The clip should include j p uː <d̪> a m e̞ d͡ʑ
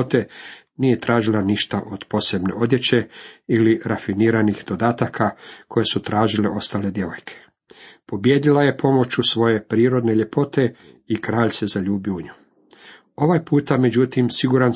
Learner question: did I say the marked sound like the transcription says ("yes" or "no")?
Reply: no